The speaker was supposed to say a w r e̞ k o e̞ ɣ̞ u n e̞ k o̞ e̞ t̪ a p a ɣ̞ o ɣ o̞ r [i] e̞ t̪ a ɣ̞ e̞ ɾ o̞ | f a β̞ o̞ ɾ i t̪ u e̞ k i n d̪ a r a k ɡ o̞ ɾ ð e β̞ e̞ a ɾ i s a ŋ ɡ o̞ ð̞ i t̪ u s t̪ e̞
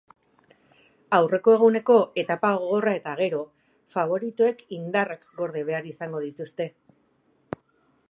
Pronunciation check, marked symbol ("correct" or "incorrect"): incorrect